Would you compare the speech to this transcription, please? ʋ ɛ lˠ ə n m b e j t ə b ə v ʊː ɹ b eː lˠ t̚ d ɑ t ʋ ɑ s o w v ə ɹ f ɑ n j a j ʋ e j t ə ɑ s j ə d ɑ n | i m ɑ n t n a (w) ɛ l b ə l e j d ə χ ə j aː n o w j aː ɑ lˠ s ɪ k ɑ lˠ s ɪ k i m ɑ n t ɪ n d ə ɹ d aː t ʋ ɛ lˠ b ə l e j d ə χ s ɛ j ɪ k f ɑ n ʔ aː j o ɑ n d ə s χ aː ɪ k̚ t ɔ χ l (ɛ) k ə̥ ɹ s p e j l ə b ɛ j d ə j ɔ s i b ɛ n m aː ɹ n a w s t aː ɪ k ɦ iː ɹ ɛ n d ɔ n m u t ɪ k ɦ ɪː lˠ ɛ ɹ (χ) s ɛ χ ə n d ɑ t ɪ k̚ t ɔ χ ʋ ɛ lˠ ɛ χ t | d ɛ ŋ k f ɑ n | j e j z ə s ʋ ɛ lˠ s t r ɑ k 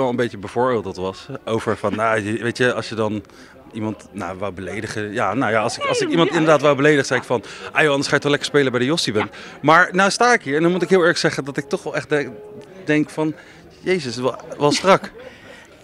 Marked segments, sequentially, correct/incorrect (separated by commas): incorrect, correct, correct